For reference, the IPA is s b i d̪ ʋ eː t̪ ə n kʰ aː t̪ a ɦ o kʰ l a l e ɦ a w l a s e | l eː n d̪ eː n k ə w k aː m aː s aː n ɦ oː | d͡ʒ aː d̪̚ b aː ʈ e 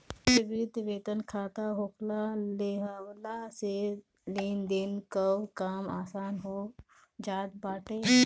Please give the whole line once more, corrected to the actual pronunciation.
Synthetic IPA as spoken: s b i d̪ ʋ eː t̪ ə n kʰ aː t̪ a ɦ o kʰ l a l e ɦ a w l a s e | l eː n d̪ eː n k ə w k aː m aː s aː n ɦ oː | d͡ʒ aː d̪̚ b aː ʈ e